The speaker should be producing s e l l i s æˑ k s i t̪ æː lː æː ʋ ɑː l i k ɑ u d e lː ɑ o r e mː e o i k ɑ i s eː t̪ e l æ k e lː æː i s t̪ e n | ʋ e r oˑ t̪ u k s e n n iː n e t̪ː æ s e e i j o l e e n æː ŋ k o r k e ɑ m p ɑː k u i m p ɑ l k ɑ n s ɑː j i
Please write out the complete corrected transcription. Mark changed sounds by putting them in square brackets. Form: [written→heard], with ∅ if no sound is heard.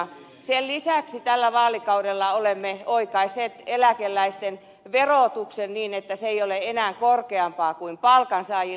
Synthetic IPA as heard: s e l l i s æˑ k s i t̪ [æː→æ] lː [æː→æ] ʋ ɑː l i k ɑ u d e lː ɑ o [r→l] e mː e o i k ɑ i s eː t̪ e l æ k e lː [æː→æ] i s t̪ e n | ʋ e r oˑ t̪ u k s e n n iː n e t̪ː æ s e e i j o l e e n æː ŋ k o r k e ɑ m p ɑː k u i m p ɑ l k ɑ n s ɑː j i